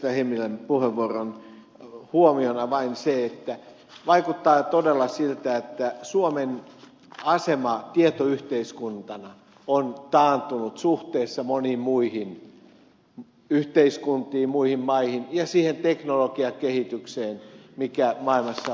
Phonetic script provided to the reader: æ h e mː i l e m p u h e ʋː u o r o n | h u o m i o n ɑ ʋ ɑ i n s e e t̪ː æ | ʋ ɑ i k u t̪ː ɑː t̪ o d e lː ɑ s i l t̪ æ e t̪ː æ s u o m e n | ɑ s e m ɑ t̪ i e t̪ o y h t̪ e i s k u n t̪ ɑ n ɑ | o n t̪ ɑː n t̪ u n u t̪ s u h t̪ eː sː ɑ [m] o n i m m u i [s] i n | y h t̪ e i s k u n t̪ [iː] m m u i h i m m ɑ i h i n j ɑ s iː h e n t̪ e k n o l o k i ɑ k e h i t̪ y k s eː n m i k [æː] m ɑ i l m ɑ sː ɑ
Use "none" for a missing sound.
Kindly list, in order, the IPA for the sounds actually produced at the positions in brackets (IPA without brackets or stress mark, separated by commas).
m, h, iː, æ